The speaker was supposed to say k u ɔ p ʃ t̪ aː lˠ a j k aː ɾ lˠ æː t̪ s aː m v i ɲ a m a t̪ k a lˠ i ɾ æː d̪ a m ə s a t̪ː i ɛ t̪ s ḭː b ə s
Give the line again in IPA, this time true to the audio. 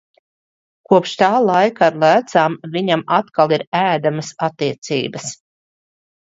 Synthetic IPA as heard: k u ɔ p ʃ t̪ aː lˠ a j k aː ɾ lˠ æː t̪ s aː m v i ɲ a m a t̪ k a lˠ i ɾ æː d̪ a m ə s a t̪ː i ɛ t̪ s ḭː b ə s